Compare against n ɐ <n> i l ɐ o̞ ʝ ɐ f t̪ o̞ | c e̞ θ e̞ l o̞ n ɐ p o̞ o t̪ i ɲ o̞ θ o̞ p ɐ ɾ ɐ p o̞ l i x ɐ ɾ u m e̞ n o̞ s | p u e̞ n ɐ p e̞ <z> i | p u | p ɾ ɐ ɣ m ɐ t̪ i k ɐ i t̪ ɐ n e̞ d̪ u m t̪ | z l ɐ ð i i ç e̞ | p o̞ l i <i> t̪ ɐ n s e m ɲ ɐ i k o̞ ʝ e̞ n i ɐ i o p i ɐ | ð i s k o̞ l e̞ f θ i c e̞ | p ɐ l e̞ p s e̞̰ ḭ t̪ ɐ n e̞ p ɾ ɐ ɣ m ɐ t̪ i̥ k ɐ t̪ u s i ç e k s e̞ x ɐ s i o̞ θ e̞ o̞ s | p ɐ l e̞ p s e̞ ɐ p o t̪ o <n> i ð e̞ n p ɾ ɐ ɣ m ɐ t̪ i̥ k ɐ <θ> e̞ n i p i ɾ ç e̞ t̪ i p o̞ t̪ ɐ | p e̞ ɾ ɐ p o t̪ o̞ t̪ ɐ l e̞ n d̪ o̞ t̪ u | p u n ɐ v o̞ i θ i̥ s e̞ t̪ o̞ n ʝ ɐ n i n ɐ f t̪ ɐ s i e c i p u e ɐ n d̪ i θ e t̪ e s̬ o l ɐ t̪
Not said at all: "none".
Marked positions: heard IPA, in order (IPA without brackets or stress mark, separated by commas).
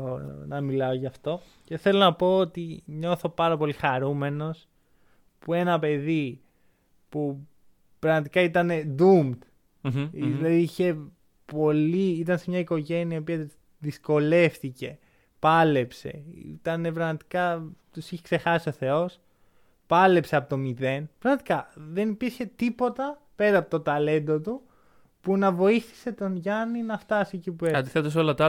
m, ð, i, m, ð